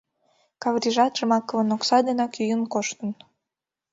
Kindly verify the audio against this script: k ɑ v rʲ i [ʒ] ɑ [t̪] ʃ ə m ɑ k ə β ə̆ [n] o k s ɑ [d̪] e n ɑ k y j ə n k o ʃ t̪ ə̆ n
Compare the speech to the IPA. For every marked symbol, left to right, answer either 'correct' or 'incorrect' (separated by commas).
correct, correct, correct, correct